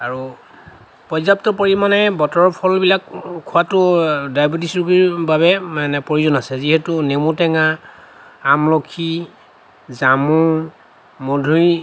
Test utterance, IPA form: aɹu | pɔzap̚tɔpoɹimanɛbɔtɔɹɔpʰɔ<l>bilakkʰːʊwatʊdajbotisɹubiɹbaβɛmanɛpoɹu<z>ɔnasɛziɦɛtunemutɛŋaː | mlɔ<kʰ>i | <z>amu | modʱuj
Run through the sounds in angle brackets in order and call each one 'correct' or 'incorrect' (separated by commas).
correct, correct, correct, correct